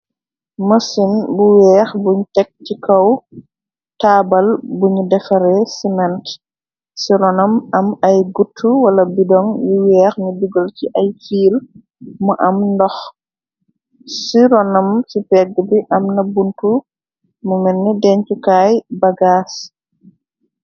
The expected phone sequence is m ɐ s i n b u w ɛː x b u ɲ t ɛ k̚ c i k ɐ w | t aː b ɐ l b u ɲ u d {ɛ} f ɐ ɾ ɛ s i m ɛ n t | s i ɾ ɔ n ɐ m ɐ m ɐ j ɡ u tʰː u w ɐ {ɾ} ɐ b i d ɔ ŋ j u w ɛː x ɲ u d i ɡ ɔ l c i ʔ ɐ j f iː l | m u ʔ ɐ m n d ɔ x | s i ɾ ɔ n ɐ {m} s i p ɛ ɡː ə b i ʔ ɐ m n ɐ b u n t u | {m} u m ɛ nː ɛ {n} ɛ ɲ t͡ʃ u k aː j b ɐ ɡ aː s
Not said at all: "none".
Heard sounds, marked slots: ɛ, l, m, m, d

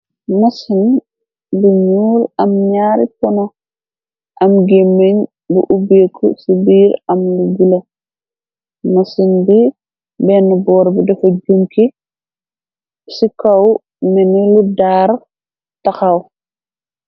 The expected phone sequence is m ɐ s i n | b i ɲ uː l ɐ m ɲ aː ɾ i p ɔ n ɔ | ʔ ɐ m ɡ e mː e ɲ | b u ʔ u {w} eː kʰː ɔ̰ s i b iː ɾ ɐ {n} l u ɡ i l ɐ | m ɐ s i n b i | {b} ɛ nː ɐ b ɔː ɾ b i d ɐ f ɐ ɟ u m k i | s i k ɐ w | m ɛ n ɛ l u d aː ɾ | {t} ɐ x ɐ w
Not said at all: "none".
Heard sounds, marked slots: b, m, b, t

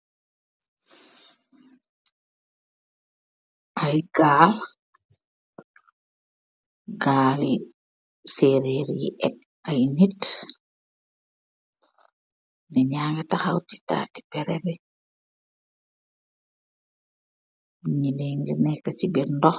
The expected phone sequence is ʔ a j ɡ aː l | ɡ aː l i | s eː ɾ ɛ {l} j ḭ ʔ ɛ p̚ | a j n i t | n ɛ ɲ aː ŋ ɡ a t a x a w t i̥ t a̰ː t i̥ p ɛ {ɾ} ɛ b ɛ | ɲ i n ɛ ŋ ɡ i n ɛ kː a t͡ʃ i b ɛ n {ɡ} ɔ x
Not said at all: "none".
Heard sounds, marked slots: ɾ, ɾ, d

